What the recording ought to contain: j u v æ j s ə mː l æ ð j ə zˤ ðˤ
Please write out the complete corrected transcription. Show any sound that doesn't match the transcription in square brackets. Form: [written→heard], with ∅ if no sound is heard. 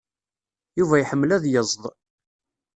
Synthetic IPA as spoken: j u v æ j [s→ħ] ə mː l æ ð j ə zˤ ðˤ

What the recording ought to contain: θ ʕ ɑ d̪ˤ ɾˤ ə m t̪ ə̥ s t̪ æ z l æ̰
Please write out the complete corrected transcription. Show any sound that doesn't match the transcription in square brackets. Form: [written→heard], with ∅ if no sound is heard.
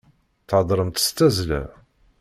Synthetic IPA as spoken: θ ʕ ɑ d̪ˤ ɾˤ ə m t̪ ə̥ s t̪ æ z l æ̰

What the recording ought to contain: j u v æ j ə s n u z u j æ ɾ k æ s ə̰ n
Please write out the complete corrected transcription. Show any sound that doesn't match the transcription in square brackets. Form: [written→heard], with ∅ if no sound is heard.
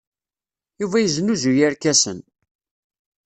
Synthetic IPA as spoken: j u v æ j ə [s→z] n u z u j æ ɾ k æ s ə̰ n

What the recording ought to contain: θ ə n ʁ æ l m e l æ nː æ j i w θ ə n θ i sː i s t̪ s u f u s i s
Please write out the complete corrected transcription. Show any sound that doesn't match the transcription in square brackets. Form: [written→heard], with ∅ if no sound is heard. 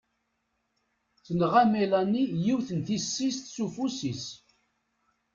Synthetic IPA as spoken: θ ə n ʁ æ [l→∅] m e l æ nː [æ→i] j i w θ ə n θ i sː i s t̪ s u f u s i s

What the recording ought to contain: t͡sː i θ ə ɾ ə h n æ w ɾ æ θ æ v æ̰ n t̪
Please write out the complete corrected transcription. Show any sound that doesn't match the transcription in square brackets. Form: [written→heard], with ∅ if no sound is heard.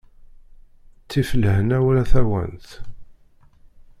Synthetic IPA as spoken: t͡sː i [θ→f] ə [ɾ→l] ə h n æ w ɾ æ θ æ [v→w] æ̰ n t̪

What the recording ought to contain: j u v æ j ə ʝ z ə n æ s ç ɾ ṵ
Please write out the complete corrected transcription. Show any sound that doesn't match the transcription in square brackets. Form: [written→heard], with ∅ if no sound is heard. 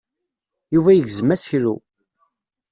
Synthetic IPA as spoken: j u v æ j ə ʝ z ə [n→m] æ s ç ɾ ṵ

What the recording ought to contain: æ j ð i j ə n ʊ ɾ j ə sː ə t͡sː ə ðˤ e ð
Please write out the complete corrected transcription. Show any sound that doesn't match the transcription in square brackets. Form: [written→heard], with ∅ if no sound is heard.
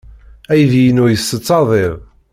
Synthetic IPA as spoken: æ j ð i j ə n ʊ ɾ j ə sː ə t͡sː [ə→ɑ] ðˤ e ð

